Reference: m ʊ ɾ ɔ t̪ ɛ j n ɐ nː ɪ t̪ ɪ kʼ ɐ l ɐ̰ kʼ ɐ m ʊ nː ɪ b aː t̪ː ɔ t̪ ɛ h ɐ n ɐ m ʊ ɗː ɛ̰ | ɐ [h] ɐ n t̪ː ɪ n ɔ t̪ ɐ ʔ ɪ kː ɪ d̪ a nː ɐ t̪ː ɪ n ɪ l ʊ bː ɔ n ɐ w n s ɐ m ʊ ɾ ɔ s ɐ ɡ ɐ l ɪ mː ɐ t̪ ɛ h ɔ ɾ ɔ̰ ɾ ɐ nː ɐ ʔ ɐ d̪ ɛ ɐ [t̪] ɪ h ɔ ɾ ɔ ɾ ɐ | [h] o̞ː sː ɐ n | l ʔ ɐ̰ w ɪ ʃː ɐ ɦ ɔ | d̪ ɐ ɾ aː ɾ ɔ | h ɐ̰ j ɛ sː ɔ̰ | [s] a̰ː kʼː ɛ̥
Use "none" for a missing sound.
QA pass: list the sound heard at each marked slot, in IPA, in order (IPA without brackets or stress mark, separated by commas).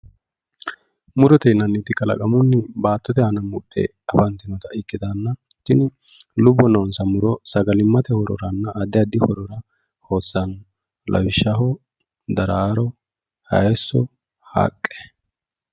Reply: f, d̪, h, h